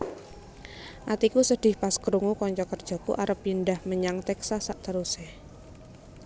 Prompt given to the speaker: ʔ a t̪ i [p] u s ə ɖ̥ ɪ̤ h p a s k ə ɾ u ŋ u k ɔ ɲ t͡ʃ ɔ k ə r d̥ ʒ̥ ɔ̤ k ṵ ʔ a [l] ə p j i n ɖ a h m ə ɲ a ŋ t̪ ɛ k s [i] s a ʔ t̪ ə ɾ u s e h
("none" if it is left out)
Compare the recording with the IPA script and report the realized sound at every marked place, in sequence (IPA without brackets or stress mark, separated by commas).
k, ɾ, a